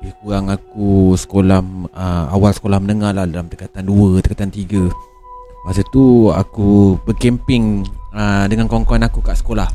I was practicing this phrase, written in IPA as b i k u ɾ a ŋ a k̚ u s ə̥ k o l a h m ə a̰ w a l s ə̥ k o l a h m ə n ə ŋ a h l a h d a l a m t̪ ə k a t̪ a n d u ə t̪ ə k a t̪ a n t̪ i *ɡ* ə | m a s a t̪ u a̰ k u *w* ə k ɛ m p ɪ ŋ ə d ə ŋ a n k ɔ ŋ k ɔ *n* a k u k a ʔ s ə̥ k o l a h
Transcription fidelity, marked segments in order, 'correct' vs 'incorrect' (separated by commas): correct, incorrect, correct